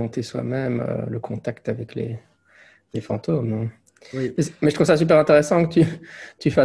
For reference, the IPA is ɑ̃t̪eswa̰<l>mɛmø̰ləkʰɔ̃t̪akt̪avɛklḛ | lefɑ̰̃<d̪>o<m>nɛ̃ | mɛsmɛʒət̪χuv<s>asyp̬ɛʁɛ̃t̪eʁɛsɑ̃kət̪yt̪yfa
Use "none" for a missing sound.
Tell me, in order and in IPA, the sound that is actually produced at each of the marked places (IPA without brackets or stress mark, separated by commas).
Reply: none, t̪, m, s